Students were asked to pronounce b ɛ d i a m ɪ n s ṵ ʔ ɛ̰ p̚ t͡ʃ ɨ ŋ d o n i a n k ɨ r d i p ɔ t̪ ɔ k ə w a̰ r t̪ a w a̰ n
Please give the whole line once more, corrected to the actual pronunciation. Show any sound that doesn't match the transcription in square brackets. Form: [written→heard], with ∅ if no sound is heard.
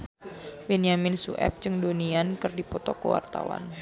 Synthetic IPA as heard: b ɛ [d→n] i a m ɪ n s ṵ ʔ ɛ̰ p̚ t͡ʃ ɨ ŋ d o n i a n k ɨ r d i p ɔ t̪ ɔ k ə w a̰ r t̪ a w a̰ n